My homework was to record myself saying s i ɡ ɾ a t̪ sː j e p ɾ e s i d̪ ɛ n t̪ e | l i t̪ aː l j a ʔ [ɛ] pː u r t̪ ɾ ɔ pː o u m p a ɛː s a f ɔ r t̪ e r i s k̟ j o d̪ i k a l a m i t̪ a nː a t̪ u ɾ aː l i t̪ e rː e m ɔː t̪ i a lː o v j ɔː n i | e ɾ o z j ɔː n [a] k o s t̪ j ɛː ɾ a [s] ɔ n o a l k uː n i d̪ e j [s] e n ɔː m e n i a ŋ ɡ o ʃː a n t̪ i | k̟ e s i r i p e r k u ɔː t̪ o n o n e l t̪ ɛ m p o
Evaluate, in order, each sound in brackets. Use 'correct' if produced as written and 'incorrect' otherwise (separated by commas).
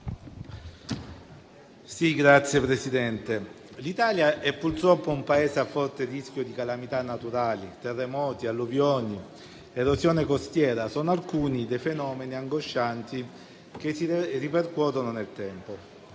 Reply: correct, incorrect, correct, incorrect